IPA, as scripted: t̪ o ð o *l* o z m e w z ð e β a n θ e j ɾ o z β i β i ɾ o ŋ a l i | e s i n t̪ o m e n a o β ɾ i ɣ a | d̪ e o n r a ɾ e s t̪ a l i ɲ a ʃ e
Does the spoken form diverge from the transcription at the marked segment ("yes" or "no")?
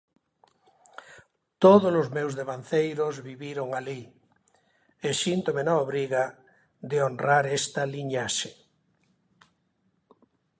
no